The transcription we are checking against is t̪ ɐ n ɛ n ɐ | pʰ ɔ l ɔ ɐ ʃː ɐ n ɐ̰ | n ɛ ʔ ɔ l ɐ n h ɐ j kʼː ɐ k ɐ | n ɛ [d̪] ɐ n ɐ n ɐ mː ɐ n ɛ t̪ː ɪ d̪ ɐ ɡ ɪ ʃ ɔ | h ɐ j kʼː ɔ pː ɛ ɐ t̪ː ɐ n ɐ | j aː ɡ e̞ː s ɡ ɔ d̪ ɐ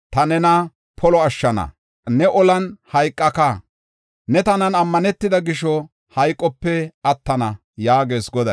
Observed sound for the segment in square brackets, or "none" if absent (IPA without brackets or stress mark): t̪